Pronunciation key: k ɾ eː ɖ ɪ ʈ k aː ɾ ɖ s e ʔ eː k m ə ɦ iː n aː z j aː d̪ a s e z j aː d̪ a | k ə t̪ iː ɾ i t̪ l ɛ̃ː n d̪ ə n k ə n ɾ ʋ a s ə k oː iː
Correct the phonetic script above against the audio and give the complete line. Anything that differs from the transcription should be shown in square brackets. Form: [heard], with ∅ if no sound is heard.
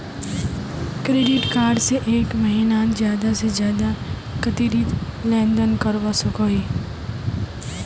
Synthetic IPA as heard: k ɾ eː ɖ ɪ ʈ k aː ɾ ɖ s e ʔ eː k m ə ɦ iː n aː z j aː d̪ a s e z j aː d̪ a | k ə t̪ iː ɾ i t̪ l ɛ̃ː n d̪ ə n k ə [∅] ɾ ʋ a s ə k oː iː